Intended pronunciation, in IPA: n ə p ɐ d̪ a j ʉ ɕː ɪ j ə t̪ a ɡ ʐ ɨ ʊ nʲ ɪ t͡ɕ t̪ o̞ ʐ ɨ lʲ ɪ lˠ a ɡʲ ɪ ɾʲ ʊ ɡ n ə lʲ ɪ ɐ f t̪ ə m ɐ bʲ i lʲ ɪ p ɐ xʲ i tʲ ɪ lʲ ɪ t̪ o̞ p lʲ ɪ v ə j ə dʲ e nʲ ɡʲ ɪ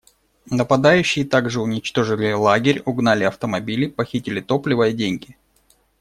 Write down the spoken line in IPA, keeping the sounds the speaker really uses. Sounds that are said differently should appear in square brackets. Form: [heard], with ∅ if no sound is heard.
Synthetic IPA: n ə p ɐ d̪ a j ʉ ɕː ɪ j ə t̪ a ɡ ʐ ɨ ʊ nʲ ɪ t͡ɕ t̪ o̞ ʐ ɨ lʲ ɪ lˠ a ɡʲ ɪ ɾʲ ʊ ɡ n [a] lʲ ɪ ɐ f t̪ ə m ɐ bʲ i lʲ ɪ p ɐ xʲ i tʲ ɪ lʲ ɪ t̪ o̞ p lʲ ɪ v ə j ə dʲ e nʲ ɡʲ ɪ